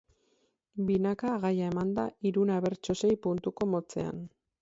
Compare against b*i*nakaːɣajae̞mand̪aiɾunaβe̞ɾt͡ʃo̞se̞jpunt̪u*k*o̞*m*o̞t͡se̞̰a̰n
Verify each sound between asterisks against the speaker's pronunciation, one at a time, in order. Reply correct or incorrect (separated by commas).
correct, correct, correct